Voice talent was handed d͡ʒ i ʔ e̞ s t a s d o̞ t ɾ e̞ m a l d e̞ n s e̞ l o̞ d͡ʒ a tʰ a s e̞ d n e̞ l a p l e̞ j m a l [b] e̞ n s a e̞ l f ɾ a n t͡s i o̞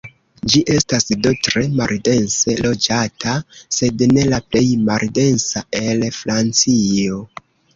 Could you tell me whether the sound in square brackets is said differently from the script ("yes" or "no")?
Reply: yes